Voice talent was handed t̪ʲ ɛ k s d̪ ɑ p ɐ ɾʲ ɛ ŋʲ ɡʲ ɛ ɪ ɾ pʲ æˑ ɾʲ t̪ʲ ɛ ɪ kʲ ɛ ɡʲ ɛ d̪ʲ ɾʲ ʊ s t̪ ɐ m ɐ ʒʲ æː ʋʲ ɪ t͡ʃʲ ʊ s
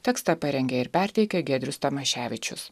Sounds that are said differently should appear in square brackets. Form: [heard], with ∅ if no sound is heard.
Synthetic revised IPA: t̪ʲ ɛ k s [t̪] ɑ p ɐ ɾʲ ɛ ŋʲ ɡʲ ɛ ɪ ɾ pʲ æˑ ɾʲ t̪ʲ ɛ ɪ kʲ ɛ ɡʲ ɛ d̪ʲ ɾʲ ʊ s t̪ ɐ m ɐ [ʃʲ] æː ʋʲ ɪ t͡ʃʲ ʊ s